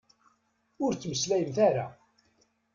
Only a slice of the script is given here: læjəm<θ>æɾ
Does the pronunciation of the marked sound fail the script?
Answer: no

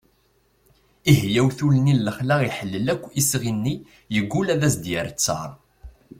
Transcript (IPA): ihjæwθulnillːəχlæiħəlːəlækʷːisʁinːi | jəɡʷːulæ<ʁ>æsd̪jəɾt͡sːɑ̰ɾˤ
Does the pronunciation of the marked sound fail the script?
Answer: yes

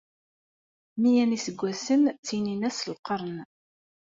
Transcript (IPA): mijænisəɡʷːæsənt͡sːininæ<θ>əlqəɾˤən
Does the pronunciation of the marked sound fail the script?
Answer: yes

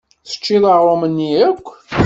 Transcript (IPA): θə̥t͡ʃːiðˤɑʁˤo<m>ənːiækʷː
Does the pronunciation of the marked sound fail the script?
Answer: no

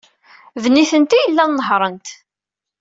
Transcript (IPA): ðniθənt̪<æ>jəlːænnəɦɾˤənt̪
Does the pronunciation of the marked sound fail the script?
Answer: yes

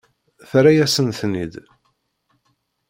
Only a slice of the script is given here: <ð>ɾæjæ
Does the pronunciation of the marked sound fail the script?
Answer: yes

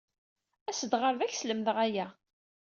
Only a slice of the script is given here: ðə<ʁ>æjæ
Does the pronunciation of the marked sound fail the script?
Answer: no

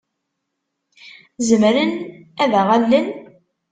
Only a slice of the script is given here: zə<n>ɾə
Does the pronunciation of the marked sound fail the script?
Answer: yes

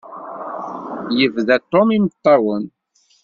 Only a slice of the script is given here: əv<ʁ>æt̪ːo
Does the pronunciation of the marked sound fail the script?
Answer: yes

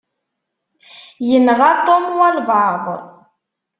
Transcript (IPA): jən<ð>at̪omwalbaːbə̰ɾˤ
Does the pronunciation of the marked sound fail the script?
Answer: yes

